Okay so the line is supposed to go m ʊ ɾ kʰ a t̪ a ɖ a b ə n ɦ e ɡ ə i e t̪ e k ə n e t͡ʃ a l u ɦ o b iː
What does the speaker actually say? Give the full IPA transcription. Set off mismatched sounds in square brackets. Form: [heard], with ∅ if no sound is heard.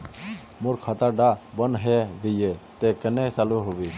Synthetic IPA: m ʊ ɾ kʰ a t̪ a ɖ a b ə n ɦ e ɡ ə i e t̪ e k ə n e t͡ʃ a l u ɦ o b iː

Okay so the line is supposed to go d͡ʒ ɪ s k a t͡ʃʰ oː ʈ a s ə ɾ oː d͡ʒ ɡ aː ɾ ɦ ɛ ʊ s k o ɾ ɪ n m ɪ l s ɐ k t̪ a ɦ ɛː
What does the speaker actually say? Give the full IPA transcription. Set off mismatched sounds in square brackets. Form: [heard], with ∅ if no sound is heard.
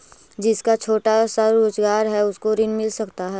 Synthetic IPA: d͡ʒ ɪ s k a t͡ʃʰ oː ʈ a s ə ɾ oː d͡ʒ ɡ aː ɾ ɦ ɛ ʊ s k o ɾ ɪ n m ɪ l s ɐ k t̪ a ɦ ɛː

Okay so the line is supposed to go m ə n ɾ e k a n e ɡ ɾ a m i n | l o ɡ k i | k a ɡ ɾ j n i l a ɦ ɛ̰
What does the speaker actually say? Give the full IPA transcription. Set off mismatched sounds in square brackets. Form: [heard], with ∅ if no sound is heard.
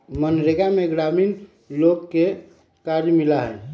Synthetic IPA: m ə n ɾ e [ɡ] a [m] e ɡ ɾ a m i n | l o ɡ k [e] | k a [∅] ɾ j [m] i l a ɦ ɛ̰

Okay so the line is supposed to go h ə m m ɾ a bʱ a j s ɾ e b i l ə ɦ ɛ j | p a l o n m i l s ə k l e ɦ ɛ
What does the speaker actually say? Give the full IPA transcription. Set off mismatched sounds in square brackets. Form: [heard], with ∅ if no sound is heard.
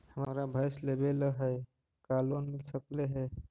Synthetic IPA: h ə m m ɾ a bʱ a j s [l] e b [e] l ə ɦ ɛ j | [k] a l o n m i l s ə k l e ɦ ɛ

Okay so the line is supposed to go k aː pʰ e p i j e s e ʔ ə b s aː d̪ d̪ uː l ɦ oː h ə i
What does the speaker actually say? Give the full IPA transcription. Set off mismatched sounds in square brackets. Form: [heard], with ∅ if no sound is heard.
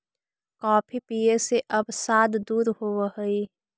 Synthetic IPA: k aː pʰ [i] p i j e s e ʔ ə b s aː d̪ d̪ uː [ɾ] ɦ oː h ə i

